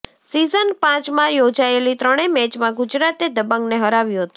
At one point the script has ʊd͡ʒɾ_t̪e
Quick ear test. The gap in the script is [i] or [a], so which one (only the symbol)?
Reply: a